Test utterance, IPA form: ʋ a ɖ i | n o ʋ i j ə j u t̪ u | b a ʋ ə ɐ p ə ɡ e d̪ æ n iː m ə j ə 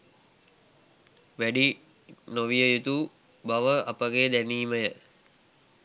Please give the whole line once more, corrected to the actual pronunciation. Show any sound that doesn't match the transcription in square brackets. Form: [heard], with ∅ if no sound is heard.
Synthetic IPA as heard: ʋ [æ] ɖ i | n o ʋ i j ə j u t̪ u | b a ʋ ə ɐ p ə ɡ e d̪ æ n iː m ə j ə